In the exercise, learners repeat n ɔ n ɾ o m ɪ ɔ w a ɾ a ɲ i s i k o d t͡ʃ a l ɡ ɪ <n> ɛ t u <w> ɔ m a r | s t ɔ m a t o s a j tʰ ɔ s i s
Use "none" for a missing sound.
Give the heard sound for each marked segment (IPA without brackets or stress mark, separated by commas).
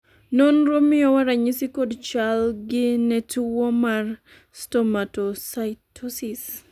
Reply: n, w